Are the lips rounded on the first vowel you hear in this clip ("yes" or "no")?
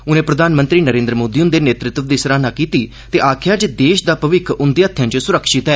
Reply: yes